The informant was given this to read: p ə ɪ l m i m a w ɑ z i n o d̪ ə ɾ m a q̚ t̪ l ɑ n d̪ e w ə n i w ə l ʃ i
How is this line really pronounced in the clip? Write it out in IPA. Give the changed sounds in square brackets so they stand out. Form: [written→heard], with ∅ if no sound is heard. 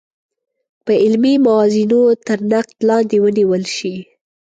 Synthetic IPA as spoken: p ə ɪ l m i m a w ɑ z i n o [d̪→t̪] ə ɾ [m→n] a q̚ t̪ l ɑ n d̪ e w ə n i w ə l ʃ i

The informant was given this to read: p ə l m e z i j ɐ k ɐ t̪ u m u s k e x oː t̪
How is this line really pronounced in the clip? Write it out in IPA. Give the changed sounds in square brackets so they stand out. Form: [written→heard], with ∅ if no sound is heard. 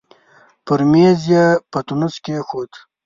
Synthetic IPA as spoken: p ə [l→ɾ] m e z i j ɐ [k→p] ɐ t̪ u [m→n] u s k e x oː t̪

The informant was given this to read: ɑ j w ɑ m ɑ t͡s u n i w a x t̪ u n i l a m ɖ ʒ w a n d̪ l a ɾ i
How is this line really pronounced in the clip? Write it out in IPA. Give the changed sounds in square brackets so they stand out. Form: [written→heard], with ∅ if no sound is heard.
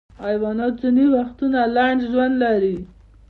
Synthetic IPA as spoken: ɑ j w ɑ [m→n] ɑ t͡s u n i w a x t̪ u n [i→a] l a [m→ɳ] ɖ ʒ w a n d̪ l a ɾ i

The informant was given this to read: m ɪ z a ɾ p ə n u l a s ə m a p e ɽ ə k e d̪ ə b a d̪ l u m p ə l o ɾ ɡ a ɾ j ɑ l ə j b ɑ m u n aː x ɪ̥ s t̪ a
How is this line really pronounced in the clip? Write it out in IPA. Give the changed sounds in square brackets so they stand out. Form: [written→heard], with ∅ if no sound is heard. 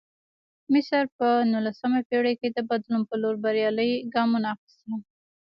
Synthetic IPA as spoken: m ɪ [z→s] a ɾ p ə n u l a s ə m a p e ɽ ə k e d̪ ə b a d̪ l u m p ə l o ɾ [ɡ→b] a ɾ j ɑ l ə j [b→ɡ] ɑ m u n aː x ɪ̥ s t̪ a

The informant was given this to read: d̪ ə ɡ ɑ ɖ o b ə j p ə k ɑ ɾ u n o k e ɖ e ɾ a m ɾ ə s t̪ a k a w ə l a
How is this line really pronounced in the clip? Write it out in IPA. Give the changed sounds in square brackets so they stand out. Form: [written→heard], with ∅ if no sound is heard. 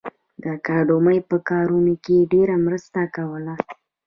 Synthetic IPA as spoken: d̪ ə [ɡ→k] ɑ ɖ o [b→m] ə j p ə k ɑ ɾ u n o k e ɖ e ɾ a m ɾ ə s t̪ a k a w ə l a

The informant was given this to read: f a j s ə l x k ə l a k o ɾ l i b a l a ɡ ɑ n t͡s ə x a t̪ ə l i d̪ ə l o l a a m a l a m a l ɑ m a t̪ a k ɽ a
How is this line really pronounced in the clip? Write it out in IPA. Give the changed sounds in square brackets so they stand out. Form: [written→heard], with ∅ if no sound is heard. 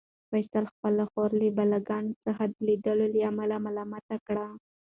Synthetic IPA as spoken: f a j s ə l x [k→p] ə l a [k→x] o ɾ l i b a l a ɡ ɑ n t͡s ə x a [t̪→d̪] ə l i d̪ ə l o l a a m a l a m a l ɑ m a t̪ a k ɽ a

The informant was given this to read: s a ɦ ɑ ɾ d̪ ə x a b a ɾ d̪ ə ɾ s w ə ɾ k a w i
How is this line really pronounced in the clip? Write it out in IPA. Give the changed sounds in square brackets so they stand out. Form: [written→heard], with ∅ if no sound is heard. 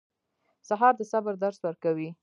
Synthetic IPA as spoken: s a ɦ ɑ ɾ d̪ ə [x→s] a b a ɾ d̪ [ə→a] ɾ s w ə ɾ k a w i

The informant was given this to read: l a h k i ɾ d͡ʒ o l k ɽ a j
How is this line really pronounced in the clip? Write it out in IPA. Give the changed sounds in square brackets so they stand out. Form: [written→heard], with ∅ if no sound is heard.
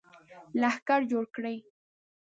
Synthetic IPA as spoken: l a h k [i→a] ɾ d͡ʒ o [l→ɽ] k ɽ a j

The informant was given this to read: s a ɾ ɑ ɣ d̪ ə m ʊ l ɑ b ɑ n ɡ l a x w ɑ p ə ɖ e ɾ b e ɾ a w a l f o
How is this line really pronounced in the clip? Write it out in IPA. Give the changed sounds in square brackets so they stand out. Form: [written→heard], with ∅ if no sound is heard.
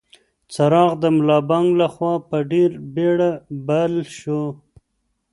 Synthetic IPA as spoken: [s→t͡s] a ɾ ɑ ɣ d̪ ə m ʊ l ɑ b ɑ [n→ŋ] ɡ l a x w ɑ p ə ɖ e ɾ b e [ɾ→ɽ] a [w→b] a l [f→ʃ] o

